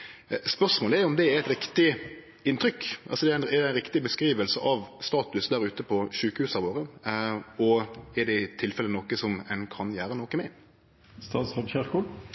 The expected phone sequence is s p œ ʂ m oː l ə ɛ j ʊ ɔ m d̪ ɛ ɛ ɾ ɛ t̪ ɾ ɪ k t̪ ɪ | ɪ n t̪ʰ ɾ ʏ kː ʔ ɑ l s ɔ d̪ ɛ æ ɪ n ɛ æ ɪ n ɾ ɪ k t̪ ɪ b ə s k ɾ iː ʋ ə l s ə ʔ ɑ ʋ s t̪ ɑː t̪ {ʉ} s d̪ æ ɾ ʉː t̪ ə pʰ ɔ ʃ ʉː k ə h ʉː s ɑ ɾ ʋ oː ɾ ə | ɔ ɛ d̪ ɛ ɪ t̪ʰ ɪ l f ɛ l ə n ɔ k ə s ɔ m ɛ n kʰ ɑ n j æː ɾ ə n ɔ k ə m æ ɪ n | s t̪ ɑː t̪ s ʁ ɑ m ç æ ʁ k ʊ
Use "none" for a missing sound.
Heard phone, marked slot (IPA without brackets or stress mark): ʉ